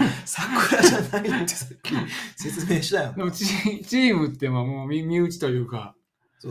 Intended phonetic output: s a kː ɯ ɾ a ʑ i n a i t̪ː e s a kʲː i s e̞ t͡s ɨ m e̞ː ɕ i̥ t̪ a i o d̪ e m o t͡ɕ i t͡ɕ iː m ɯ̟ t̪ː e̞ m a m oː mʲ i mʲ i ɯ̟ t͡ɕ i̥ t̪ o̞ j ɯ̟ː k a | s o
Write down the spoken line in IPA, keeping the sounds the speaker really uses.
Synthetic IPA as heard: s a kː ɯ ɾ a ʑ a n a i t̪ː e s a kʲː i s e̞ t͡s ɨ m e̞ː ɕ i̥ t̪ a j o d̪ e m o t͡ɕ i t͡ɕ iː m ɯ̟ t̪ː e̞ m a m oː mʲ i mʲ i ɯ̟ t͡ɕ i̥ t̪ o̞ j ɯ̟ː k a | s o